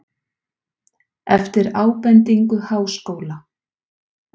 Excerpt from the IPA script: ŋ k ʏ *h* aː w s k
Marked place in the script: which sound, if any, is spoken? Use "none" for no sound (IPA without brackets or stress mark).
h